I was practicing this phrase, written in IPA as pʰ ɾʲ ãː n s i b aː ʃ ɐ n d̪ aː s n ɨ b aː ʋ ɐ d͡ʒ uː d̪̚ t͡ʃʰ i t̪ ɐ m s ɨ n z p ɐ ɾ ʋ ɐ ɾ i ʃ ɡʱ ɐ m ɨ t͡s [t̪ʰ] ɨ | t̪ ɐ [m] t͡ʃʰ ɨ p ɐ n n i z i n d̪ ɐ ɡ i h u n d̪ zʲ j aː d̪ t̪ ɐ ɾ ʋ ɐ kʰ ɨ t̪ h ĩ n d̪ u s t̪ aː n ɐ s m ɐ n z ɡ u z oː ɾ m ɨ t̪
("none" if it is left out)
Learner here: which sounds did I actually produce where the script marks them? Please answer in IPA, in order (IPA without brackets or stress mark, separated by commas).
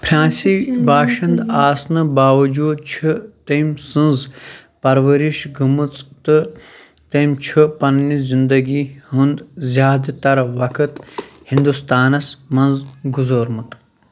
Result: t̪, m